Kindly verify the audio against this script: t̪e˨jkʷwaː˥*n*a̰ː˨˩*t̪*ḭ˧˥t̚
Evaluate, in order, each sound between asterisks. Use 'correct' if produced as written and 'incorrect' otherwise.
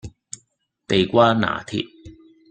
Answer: correct, incorrect: t̪ʰ

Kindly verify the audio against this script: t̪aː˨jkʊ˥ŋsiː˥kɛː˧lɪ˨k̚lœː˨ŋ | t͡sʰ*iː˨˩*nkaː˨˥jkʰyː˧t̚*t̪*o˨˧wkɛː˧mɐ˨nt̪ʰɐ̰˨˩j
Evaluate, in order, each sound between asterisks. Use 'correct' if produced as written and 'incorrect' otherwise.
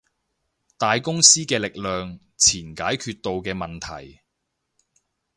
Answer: correct, correct

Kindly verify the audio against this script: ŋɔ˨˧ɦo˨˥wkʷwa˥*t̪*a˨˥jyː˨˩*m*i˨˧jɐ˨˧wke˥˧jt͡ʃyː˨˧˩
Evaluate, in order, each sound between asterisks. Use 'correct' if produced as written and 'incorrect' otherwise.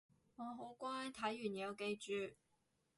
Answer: incorrect: t̪ʰ, incorrect: n

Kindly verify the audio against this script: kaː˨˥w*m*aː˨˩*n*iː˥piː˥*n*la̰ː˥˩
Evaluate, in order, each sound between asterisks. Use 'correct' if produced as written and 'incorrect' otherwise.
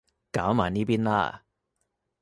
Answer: correct, correct, correct

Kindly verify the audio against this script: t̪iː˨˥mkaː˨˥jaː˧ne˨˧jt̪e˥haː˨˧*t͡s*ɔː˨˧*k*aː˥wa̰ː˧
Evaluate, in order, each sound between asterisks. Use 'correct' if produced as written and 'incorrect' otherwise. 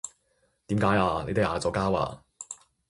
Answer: correct, correct

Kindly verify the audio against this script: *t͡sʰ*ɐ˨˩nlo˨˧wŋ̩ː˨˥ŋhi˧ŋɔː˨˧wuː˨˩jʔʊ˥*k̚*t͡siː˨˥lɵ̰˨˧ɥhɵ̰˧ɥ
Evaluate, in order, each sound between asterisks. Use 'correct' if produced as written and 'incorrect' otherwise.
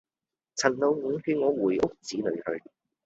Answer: correct, correct

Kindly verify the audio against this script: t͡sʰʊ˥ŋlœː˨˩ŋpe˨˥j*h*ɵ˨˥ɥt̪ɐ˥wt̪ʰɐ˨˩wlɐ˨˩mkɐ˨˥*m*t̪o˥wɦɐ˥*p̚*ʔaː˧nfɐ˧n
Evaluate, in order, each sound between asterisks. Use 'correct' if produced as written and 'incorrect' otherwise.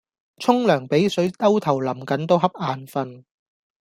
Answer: incorrect: s, incorrect: n, correct

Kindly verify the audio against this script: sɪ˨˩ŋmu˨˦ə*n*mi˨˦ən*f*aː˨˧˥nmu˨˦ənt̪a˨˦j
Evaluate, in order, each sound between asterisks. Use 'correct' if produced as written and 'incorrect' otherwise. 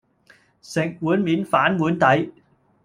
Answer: correct, correct

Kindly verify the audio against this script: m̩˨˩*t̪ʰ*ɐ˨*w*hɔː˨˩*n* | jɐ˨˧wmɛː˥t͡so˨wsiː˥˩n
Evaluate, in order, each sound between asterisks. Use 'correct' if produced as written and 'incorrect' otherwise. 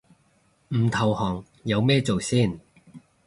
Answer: correct, correct, incorrect: ŋ

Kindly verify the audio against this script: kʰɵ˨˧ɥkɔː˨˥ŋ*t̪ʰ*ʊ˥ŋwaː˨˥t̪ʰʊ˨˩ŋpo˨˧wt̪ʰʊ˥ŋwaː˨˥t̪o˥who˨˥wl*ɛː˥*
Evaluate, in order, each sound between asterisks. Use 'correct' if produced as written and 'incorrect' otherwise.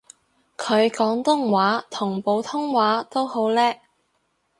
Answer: incorrect: t̪, correct

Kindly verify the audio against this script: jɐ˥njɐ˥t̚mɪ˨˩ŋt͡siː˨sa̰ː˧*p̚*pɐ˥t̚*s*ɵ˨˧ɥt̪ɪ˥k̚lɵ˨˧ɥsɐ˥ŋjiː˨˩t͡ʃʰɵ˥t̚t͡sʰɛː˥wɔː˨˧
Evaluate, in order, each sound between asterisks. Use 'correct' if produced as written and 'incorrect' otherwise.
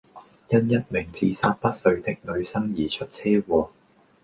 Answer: incorrect: t̚, correct

